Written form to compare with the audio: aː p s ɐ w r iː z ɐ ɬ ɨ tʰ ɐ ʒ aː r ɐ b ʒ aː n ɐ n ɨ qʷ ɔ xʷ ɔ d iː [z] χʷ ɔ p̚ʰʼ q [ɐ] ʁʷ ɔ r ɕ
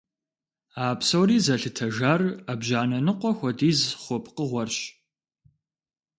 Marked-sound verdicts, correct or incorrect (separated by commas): correct, incorrect